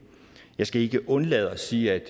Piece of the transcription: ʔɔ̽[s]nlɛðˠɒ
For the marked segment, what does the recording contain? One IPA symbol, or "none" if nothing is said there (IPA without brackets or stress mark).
none